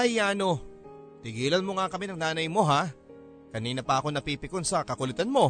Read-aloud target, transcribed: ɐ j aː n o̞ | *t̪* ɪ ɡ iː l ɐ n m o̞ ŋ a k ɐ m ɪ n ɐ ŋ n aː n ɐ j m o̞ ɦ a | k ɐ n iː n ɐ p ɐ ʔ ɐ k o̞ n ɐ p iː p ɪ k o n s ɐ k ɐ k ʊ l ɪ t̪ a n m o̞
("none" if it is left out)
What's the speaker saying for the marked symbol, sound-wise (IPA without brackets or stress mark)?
t̪